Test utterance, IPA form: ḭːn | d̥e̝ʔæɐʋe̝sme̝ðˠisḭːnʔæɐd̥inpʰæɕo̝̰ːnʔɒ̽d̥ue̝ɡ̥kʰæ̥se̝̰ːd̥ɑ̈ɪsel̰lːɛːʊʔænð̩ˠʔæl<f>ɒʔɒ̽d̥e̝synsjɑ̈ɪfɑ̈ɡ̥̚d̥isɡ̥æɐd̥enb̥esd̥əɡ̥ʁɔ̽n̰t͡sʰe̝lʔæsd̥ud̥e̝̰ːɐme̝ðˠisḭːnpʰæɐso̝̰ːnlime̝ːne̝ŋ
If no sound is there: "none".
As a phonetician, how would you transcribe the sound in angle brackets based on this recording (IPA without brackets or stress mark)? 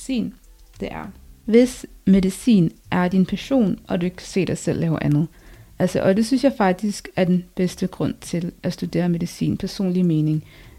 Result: s